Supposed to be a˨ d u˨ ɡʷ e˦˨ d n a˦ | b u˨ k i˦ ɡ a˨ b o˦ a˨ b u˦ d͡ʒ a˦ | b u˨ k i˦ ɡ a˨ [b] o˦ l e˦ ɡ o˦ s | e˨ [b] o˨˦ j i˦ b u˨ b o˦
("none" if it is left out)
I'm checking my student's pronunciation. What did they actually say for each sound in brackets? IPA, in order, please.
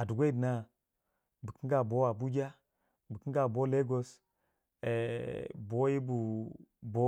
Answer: b, b

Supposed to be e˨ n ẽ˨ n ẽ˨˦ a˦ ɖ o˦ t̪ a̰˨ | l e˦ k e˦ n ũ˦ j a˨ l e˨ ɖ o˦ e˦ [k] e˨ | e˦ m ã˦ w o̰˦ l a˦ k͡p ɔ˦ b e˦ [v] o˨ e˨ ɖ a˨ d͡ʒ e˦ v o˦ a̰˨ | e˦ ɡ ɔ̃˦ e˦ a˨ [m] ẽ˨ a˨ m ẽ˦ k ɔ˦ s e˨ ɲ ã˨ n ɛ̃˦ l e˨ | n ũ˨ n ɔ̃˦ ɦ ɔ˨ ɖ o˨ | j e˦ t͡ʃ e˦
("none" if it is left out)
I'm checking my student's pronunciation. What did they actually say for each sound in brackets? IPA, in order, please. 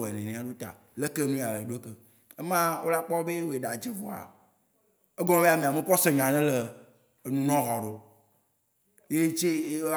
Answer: k, w, m

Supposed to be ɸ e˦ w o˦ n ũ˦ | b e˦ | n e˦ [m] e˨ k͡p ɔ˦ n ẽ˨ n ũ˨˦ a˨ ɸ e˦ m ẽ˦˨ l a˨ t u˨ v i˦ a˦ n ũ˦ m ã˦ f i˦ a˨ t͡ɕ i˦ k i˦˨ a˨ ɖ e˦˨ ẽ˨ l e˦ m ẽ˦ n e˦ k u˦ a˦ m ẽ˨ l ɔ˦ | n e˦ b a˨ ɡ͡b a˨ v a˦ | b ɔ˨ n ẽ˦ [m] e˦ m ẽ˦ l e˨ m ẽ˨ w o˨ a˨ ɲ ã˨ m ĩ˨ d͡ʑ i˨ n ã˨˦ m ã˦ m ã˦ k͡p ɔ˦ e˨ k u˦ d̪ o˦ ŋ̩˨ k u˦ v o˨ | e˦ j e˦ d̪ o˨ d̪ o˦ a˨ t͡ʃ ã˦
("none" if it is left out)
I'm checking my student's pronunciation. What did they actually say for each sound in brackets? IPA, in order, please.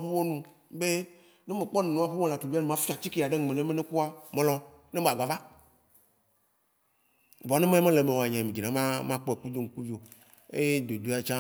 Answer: m, m

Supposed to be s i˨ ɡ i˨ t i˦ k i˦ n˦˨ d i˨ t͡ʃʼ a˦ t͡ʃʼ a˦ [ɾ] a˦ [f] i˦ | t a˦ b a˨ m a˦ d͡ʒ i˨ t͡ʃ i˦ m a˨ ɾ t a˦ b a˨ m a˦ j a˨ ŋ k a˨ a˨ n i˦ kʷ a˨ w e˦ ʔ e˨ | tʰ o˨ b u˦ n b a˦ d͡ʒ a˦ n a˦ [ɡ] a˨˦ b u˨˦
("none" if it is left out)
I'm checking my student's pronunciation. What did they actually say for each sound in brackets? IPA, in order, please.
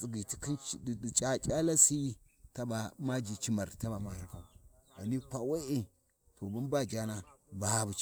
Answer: l, s, b

